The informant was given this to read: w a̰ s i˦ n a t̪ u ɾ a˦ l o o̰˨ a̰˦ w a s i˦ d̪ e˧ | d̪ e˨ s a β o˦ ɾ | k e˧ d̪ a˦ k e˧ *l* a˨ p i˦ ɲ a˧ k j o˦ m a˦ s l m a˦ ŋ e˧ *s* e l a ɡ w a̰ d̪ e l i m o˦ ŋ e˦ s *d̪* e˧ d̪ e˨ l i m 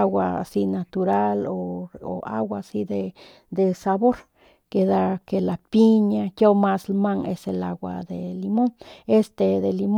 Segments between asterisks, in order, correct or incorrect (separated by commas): correct, correct, incorrect